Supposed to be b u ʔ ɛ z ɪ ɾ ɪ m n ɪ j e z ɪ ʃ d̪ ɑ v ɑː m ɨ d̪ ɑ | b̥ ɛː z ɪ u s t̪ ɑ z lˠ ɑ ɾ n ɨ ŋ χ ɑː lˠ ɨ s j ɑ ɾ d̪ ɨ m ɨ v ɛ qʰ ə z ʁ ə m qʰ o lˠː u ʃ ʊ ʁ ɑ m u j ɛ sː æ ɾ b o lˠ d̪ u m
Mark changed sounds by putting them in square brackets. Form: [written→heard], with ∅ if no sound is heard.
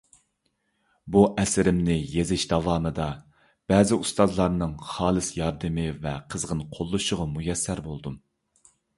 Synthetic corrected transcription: b u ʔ ɛ [z→s] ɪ ɾ ɪ m n ɪ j e z ɪ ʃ d̪ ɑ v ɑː m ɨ d̪ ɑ | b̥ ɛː z ɪ u s t̪ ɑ z lˠ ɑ ɾ n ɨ ŋ χ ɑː lˠ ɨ s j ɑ ɾ d̪ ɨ m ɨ v ɛ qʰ ə z ʁ ə [m→n] qʰ o lˠː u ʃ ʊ ʁ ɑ m u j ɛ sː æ ɾ b o lˠ d̪ u m